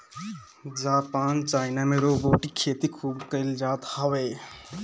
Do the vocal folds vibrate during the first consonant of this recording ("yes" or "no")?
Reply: yes